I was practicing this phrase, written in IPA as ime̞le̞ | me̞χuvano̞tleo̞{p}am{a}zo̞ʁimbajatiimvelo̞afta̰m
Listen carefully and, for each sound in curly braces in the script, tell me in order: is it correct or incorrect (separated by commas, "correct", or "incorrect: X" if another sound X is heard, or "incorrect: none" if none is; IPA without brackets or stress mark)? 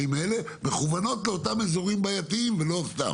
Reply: incorrect: t, incorrect: e